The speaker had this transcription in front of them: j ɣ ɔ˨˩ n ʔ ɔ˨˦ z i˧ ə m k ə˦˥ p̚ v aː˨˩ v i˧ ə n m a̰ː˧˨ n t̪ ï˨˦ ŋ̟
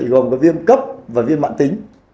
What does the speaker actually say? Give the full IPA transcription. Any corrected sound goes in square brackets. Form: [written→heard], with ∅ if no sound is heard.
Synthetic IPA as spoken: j ɣ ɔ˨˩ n [ʔ→k] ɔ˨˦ [z→v] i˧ ə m k ə˦˥ p̚ v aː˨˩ v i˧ ə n m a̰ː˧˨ n t̪ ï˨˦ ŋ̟

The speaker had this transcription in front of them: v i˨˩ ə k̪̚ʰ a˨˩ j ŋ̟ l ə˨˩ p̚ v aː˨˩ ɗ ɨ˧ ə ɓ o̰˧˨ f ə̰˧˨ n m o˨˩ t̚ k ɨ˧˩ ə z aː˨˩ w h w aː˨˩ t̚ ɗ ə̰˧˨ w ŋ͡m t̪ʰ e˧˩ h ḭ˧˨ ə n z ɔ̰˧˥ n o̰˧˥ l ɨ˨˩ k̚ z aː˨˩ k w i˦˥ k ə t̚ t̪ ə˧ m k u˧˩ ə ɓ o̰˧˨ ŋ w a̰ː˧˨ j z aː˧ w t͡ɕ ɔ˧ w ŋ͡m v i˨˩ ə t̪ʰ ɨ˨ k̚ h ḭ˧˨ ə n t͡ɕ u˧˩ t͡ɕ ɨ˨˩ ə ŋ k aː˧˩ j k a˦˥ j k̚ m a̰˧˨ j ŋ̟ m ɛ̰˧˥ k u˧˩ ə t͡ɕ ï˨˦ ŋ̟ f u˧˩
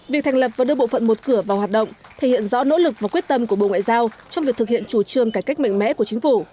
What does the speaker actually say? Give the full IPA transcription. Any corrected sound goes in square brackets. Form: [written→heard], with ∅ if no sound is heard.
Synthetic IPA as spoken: v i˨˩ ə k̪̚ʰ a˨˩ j ŋ̟ l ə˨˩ p̚ v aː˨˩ ɗ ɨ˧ ə ɓ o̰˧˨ f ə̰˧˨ n m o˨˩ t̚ k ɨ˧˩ ə [z→v] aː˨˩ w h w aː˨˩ t̚ ɗ ə̰˧˨ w ŋ͡m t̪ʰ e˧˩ h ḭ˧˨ ə n z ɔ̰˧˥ n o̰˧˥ l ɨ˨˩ k̚ [z→v] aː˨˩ k w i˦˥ [k→∅] ə t̚ t̪ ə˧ m k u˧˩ ə ɓ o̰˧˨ ŋ w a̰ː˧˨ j z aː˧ w t͡ɕ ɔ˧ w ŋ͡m v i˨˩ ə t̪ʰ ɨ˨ k̚ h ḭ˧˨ ə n t͡ɕ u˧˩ t͡ɕ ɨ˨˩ ə ŋ k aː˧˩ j k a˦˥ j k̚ m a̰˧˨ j ŋ̟ m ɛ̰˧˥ k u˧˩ ə t͡ɕ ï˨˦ ŋ̟ f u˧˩

